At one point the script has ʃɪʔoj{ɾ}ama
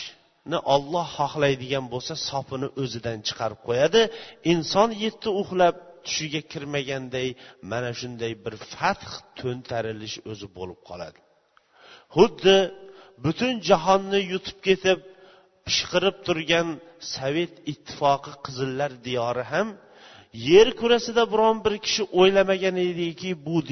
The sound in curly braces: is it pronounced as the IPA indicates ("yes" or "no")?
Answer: no